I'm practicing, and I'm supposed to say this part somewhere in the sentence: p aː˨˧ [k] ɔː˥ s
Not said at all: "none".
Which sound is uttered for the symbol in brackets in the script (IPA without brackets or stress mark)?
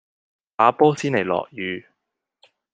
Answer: p